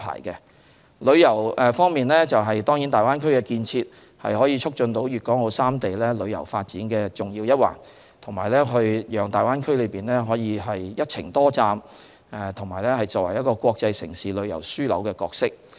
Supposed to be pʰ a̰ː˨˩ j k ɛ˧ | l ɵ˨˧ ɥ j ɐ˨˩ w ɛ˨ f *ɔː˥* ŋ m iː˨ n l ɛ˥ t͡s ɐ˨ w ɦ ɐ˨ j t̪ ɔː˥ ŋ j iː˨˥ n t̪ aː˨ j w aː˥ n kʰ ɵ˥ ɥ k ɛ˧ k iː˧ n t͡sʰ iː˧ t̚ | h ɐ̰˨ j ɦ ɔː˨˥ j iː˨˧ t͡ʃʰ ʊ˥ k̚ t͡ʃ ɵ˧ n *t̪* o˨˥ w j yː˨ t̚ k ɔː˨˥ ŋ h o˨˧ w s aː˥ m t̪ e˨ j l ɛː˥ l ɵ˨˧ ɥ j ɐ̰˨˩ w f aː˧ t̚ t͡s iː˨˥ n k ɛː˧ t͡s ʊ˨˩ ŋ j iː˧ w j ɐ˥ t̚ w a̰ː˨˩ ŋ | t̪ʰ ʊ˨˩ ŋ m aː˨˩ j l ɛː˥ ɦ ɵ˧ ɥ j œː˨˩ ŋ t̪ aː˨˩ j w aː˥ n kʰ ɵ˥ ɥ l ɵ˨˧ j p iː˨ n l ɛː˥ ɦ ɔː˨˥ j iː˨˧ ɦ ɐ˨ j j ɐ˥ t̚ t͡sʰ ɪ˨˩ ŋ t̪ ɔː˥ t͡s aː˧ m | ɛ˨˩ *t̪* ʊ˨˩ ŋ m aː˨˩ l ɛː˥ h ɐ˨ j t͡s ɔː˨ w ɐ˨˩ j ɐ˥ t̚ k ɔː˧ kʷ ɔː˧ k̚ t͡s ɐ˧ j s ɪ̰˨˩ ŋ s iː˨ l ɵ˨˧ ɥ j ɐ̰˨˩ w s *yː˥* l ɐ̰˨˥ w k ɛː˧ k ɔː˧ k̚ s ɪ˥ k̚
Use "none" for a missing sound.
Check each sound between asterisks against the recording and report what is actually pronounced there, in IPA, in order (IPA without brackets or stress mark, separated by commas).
ɔː˥, t̪, t̪ʰ, yː˥